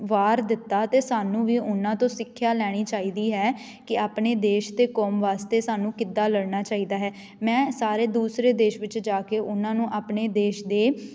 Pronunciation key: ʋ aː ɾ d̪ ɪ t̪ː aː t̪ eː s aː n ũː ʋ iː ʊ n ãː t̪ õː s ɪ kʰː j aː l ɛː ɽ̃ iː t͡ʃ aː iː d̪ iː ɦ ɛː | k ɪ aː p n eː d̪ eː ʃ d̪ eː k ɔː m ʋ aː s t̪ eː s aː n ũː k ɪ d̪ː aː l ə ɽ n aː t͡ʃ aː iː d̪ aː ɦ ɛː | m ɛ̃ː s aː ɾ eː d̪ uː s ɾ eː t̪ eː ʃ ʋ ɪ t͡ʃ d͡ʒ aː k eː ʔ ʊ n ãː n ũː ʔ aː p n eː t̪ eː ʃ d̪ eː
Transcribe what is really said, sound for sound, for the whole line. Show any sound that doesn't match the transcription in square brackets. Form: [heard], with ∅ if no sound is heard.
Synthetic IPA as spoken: ʋ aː ɾ d̪ ɪ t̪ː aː t̪ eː s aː n ũː ʋ iː ʊ n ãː t̪ õː s ɪ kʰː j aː l ɛː ɽ̃ iː t͡ʃ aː iː d̪ iː ɦ ɛː | k ɪ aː p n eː d̪ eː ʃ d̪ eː k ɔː m ʋ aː s t̪ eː s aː n ũː k ɪ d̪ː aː l ə ɽ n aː t͡ʃ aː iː d̪ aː ɦ ɛː | m ɛ̃ː s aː ɾ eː d̪ uː s ɾ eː [d̪] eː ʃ ʋ ɪ t͡ʃ d͡ʒ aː k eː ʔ ʊ n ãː n ũː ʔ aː p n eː [d̪] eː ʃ d̪ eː